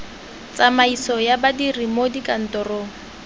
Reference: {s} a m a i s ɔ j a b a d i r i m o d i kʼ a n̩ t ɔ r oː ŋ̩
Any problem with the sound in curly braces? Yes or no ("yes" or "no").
yes